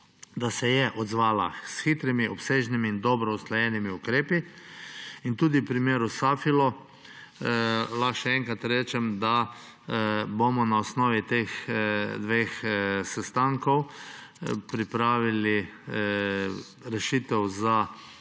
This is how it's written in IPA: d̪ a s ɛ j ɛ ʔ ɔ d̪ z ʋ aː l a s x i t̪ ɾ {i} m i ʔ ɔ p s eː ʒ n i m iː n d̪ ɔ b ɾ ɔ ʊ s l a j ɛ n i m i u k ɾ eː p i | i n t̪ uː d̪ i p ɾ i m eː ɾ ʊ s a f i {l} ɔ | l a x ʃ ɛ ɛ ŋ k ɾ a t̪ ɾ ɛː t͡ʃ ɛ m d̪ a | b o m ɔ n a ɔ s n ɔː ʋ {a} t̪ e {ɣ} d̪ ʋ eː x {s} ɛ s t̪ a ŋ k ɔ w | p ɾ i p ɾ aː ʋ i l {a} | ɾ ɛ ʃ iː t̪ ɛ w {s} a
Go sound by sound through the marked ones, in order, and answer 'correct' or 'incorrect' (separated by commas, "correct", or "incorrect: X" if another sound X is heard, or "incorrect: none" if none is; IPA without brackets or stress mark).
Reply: correct, correct, incorrect: i, incorrect: x, correct, incorrect: i, incorrect: z